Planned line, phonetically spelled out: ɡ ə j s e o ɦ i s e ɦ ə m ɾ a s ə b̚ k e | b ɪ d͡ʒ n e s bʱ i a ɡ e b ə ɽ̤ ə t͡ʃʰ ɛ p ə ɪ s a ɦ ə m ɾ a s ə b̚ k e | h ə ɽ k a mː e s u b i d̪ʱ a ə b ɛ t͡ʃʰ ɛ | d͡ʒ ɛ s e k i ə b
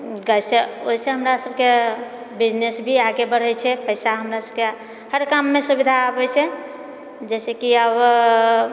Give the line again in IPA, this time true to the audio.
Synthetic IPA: ɡ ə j s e o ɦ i s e ɦ ə m ɾ a s ə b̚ k e | b i d͡ʒ n e s bʱ i a ɡ e b ə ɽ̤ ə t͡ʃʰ ɛ p ə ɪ s a ɦ ə m ɾ a s ə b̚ k e | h ə ɾ k a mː e s u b i d̪ʱ a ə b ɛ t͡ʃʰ ɛ | d͡ʒ ɛ s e k i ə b